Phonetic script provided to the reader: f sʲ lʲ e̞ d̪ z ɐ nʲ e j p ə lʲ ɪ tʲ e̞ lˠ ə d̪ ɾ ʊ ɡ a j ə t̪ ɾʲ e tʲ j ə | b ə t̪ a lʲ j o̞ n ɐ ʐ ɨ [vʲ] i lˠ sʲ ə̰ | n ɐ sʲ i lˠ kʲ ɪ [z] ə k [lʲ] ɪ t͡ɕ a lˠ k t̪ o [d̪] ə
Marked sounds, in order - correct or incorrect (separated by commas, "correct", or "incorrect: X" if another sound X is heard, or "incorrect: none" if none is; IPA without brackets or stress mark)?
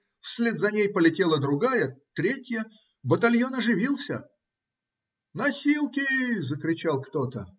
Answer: correct, correct, incorrect: ɾʲ, incorrect: t̪